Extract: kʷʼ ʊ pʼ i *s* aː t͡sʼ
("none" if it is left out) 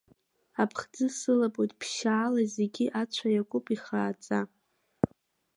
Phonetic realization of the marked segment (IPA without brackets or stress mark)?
χ